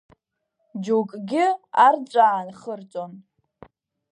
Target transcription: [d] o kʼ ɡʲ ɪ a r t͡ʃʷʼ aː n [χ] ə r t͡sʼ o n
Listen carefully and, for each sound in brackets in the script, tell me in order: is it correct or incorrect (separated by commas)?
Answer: incorrect, correct